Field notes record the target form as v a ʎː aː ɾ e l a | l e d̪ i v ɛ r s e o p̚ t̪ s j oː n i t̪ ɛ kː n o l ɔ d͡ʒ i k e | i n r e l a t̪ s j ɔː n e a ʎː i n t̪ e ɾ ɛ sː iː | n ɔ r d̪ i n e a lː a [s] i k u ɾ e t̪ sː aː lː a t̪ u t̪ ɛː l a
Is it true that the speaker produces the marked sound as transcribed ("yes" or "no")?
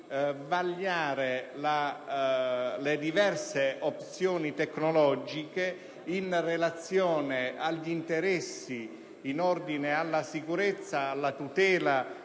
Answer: yes